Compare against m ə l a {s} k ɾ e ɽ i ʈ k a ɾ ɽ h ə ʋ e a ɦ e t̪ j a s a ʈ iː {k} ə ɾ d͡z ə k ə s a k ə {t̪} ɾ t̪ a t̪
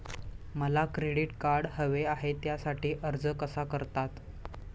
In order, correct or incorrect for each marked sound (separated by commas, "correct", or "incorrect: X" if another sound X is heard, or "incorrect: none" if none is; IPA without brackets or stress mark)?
incorrect: none, incorrect: ʔ, incorrect: none